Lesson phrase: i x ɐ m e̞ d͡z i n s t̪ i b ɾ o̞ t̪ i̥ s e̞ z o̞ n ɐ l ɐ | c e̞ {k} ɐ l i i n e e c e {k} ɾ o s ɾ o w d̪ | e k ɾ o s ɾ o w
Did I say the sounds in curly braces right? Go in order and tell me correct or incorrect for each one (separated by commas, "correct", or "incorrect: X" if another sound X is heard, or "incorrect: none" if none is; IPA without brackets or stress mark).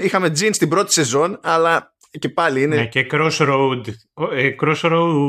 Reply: incorrect: p, correct